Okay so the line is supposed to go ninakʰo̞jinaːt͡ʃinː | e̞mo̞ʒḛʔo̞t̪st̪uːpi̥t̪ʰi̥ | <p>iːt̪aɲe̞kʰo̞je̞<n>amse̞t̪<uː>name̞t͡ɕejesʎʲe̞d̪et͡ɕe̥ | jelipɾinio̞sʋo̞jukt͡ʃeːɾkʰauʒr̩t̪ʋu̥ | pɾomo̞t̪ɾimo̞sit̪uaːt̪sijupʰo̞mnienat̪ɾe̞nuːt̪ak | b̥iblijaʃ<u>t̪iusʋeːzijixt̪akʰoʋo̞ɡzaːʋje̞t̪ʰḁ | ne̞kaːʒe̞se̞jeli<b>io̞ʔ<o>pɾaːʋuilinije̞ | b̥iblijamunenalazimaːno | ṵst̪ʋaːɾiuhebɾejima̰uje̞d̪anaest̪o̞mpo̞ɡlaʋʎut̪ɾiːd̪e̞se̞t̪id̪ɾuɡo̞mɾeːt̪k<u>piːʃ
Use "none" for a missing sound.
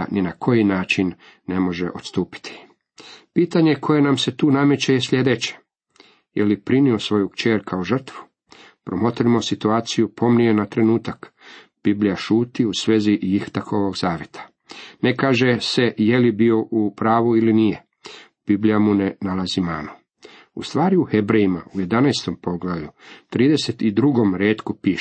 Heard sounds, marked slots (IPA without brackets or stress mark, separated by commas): p, n, uː, uː, b, u, u